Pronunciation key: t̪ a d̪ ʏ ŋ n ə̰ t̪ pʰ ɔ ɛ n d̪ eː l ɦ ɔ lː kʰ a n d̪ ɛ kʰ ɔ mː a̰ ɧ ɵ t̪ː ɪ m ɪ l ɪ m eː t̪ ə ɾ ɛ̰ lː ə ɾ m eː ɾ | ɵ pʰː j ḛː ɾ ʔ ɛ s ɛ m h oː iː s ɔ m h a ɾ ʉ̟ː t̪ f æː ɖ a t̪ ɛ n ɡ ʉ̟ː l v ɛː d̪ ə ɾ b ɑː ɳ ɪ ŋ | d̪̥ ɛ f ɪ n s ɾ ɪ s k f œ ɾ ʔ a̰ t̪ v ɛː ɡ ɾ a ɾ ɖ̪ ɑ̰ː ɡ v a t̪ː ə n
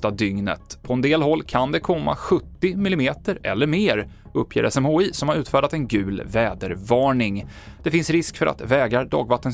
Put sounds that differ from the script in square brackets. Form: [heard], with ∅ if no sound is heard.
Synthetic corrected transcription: t̪ a d̪ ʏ ŋ n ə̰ t̪ pʰ ɔ ɛ n d̪ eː l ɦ ɔ lː kʰ a n d̪ ɛ kʰ ɔ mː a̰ ɧ ɵ t̪ː ɪ m ɪ l ɪ m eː t̪ ə ɾ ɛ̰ lː ə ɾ m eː ɾ | ɵ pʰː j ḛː ɾ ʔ ɛ s ɛ m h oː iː s ɔ m h a ɾ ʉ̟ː t̪ f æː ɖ a t̪ ɛ n ɡ ʉ̟ː l v ɛː d̪ ə ɾ [v] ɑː ɳ ɪ ŋ | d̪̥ ɛ f ɪ n s ɾ ɪ s k f œ ɾ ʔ a̰ t̪ v ɛː ɡ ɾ a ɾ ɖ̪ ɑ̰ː ɡ v a t̪ː ə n